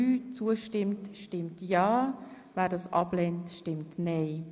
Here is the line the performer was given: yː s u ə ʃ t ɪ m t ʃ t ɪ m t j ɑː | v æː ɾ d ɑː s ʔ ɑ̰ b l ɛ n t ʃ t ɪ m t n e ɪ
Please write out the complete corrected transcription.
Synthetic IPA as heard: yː t͡s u ə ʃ t ɪ m t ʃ t ɪ m t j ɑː | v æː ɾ d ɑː s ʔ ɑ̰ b l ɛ n t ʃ t ɪ m t n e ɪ